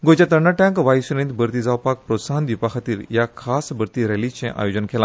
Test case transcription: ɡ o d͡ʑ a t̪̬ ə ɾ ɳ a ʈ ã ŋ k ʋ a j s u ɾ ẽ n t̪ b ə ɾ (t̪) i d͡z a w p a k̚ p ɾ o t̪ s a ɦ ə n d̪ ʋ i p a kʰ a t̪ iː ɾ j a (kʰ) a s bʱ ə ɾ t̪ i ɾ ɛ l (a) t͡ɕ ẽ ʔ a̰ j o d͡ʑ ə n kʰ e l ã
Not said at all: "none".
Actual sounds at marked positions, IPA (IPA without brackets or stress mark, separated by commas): t̪, kʰ, i